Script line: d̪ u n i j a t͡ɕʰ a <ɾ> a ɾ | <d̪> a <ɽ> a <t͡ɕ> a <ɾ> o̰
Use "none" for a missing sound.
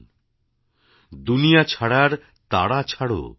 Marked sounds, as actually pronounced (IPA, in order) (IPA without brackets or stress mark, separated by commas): ɽ, t̪, ɽ, t͡ɕʰ, ɽ